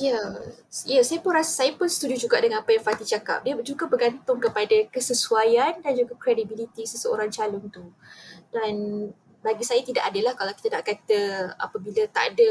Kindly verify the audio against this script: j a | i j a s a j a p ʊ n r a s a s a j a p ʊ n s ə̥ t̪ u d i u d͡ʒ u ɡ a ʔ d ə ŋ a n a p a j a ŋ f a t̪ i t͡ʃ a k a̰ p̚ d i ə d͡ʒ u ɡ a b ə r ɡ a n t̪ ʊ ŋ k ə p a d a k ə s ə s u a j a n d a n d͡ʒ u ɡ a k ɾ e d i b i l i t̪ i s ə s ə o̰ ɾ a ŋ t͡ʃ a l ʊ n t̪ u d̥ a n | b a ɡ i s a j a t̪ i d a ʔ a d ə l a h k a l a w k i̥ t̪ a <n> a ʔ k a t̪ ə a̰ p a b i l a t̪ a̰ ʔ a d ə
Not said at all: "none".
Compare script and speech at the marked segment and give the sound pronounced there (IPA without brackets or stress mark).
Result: n